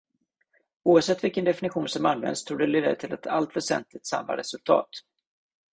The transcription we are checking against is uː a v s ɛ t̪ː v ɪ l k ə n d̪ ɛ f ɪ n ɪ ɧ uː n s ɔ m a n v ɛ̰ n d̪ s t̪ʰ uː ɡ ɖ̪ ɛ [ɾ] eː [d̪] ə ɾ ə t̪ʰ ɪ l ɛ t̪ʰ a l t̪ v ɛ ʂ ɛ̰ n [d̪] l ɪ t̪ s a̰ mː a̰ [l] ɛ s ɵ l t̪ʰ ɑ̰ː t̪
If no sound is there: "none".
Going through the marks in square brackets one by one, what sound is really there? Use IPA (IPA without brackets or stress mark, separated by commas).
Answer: l, d̪, t̪, ɾ